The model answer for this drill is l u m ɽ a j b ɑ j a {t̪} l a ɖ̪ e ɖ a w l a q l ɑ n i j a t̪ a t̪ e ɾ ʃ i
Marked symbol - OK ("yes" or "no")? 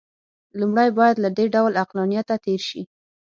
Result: no